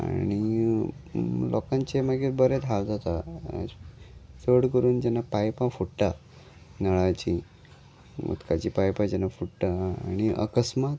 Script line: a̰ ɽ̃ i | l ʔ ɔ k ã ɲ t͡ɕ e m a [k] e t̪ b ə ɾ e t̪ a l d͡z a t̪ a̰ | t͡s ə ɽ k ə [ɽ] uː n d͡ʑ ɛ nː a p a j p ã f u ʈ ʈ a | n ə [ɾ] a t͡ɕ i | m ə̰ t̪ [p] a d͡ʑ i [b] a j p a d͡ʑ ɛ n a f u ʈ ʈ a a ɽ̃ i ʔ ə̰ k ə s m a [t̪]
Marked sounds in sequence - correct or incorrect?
incorrect: ɡ, incorrect: ɾ, incorrect: ɭ, incorrect: k, incorrect: p, correct

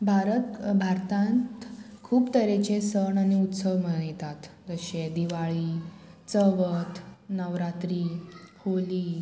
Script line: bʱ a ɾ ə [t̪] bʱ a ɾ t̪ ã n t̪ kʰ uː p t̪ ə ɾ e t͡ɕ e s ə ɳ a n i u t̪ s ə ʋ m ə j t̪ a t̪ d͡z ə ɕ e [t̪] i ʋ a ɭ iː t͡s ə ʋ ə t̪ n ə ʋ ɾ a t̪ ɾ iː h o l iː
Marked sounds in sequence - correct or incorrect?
correct, incorrect: d̪

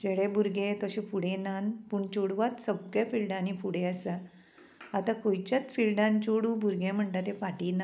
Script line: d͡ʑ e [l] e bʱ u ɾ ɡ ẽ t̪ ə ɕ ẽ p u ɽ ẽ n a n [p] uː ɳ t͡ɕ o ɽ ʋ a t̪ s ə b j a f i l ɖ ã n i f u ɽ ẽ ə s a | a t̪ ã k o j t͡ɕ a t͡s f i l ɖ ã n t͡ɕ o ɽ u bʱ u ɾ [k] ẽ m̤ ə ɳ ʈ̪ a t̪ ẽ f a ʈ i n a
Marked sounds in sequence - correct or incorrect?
incorrect: ɽ, correct, incorrect: ɡ

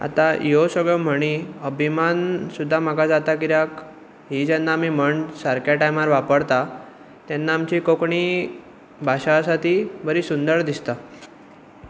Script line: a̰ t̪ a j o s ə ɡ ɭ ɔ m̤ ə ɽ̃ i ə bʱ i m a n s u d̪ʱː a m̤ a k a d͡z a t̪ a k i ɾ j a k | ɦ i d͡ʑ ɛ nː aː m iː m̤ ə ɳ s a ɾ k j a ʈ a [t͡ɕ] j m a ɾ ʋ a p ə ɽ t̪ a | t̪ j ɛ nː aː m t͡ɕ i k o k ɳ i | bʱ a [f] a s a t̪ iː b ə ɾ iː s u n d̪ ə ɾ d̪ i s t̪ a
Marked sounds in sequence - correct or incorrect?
incorrect: none, incorrect: ɕ

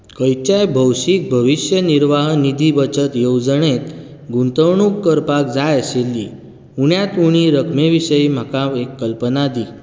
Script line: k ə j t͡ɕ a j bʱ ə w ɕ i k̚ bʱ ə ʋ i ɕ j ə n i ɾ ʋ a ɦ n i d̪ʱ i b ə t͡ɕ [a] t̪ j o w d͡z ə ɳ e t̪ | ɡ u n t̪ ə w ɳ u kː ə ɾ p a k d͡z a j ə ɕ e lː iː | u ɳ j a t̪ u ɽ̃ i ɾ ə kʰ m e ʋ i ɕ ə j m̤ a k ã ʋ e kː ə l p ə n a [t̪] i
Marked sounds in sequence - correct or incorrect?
incorrect: ə, incorrect: d̪

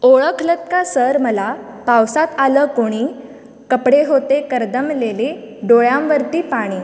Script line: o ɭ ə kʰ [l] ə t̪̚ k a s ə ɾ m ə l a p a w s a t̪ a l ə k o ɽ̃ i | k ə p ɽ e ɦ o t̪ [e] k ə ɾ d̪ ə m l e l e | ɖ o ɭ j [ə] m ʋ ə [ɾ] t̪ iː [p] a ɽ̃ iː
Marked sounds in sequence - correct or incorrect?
correct, correct, incorrect: a, correct, correct

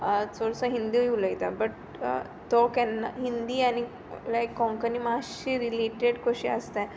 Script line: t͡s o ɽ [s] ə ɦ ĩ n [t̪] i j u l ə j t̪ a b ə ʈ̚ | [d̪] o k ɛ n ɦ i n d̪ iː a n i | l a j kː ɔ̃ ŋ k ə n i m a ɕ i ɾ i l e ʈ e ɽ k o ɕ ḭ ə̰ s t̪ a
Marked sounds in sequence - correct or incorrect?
correct, incorrect: d̪, incorrect: t̪

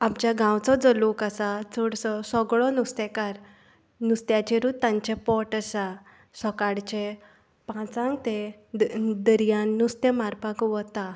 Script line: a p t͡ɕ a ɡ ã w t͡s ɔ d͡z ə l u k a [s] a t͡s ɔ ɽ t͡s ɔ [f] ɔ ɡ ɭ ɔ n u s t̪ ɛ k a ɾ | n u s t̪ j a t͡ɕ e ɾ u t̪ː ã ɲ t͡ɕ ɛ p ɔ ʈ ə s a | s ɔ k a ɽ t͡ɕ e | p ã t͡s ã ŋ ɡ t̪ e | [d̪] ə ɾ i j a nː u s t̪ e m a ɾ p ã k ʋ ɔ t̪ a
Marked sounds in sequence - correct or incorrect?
correct, incorrect: s, correct

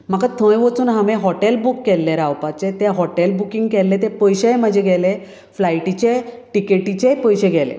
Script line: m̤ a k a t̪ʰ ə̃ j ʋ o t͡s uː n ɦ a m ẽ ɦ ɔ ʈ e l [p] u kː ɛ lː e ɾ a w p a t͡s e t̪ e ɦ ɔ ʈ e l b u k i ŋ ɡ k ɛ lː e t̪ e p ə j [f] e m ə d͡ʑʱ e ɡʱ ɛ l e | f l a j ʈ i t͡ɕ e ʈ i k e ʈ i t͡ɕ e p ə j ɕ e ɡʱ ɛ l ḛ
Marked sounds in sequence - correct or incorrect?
incorrect: b, incorrect: ɕ

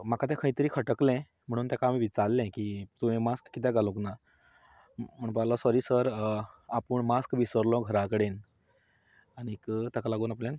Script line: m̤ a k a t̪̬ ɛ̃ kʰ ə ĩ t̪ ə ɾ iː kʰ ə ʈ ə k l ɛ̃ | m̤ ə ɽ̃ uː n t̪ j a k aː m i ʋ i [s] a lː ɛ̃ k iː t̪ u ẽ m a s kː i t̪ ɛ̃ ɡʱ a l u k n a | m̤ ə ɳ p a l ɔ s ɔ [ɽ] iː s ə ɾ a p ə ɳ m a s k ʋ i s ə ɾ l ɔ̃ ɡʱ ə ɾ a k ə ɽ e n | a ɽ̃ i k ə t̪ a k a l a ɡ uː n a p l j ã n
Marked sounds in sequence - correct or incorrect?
incorrect: t͡s, incorrect: ɾ

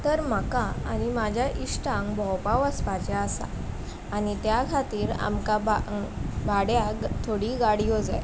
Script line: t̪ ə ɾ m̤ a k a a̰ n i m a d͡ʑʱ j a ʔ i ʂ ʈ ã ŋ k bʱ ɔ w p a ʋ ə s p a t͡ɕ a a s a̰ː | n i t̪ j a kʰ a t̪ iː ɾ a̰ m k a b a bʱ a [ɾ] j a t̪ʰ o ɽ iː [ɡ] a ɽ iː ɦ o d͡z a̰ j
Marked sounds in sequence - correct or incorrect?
incorrect: ɽ, correct

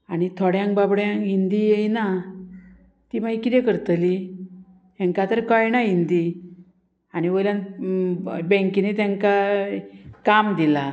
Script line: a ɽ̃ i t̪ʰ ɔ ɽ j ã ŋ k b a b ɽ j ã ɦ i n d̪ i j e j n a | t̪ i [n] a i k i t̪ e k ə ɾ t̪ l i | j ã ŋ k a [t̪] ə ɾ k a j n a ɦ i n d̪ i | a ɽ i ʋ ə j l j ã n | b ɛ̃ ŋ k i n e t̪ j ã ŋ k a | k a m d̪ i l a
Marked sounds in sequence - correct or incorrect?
incorrect: m, correct

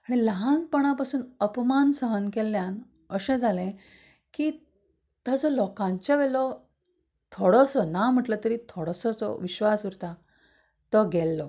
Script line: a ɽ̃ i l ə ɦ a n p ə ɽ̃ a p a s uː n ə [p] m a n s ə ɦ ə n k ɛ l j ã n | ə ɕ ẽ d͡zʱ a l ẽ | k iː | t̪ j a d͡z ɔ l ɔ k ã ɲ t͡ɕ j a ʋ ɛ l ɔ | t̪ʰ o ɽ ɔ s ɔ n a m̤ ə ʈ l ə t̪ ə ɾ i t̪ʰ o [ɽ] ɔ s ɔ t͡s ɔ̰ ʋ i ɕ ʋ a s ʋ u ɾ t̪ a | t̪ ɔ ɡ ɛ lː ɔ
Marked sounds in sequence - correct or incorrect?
correct, correct

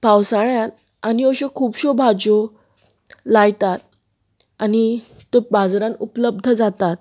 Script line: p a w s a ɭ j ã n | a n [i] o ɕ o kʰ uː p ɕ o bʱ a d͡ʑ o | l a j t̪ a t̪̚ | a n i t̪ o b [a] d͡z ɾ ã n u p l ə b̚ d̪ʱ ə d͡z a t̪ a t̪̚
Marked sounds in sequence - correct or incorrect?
correct, correct

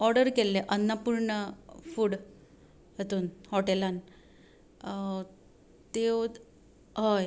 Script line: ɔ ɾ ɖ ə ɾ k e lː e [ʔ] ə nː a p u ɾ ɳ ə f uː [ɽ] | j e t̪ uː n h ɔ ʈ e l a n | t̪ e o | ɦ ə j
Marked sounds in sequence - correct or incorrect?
correct, correct

